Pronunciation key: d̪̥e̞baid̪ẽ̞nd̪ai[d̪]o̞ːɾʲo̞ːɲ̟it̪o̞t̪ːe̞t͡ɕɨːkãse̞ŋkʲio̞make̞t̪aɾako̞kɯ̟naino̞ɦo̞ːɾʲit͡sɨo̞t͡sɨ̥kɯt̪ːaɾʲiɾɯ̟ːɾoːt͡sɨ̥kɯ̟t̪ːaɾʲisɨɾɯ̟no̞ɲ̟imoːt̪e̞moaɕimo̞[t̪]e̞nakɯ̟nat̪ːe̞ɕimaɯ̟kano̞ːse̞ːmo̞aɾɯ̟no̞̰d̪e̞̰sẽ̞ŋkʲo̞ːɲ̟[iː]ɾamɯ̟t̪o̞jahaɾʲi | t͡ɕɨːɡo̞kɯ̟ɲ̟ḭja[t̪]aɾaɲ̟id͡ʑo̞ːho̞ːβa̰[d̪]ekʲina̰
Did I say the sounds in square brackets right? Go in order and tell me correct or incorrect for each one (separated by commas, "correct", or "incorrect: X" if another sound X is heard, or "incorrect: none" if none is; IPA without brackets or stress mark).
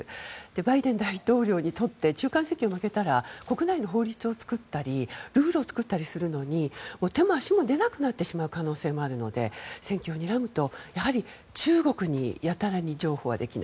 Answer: incorrect: t̪, incorrect: d̪, incorrect: i, correct, correct